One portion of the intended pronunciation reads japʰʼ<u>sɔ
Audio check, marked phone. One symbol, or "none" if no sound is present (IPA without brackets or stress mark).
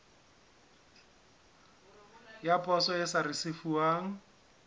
ɔ